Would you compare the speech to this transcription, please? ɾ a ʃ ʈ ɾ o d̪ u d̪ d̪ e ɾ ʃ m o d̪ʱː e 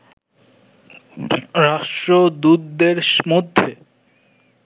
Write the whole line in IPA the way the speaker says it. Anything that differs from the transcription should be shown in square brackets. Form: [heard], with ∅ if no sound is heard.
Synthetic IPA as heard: ɾ a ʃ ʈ ɾ o d̪ u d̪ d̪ e ɾ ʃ m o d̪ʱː e